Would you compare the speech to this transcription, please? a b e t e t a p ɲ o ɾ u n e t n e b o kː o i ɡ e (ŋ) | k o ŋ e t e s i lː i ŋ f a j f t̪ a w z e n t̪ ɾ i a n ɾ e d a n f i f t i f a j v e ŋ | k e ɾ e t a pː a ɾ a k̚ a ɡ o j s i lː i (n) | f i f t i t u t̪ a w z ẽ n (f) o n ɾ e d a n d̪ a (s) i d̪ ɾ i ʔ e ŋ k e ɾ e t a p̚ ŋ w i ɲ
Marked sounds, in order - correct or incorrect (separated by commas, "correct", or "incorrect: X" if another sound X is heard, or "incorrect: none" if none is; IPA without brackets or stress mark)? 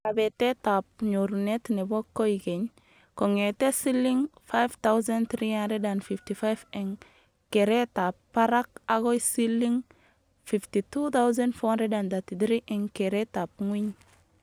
incorrect: ɲ, incorrect: ŋ, correct, incorrect: t